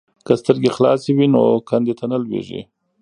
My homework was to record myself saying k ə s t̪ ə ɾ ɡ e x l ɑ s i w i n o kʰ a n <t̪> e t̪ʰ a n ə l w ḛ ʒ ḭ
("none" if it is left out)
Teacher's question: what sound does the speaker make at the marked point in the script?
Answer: d̪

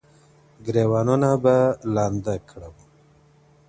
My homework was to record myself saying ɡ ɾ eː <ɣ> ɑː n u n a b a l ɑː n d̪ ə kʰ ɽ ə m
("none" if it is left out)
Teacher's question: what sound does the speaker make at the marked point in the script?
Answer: w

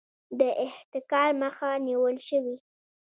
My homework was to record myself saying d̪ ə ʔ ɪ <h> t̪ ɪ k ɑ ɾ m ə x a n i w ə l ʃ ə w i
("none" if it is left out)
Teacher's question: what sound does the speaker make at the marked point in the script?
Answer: h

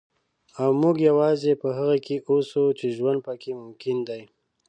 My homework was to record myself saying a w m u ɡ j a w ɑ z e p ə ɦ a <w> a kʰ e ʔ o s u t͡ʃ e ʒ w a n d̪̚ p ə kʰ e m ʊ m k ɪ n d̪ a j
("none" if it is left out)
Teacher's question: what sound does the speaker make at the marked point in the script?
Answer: ɣ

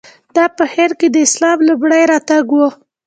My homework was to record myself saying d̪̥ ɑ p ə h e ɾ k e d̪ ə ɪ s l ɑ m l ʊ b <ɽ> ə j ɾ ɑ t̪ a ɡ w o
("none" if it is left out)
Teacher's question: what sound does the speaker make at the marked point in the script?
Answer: ɽ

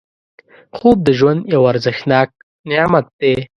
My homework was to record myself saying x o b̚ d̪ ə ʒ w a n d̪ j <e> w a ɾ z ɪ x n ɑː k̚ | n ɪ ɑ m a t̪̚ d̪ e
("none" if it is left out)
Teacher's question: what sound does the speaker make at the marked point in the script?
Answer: a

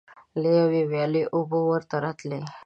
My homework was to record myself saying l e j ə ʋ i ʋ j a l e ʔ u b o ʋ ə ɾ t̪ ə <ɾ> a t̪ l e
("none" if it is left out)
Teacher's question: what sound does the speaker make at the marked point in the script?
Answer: ɾ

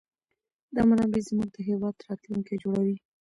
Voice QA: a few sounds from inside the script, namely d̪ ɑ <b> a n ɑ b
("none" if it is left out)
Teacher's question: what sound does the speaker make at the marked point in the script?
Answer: m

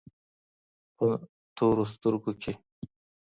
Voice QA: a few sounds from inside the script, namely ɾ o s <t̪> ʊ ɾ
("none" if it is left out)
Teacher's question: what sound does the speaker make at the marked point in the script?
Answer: t̪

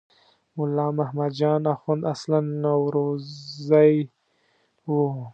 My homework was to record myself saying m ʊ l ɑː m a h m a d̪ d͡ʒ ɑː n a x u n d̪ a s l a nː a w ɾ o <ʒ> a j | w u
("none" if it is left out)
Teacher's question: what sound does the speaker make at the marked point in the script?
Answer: z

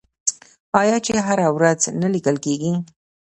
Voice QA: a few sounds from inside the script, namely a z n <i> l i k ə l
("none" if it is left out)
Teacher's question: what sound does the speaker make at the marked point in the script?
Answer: a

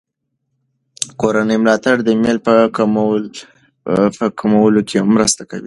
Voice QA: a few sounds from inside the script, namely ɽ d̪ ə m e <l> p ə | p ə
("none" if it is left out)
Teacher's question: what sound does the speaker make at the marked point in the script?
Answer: l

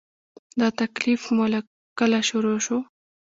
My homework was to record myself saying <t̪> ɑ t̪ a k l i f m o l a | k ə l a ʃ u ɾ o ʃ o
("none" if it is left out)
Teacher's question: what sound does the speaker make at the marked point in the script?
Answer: d̪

